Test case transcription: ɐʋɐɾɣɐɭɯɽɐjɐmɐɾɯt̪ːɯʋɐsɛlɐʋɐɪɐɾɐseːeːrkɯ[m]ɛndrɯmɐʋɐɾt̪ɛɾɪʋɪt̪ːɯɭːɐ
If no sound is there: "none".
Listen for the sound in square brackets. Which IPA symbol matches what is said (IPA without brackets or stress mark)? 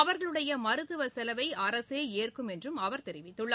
m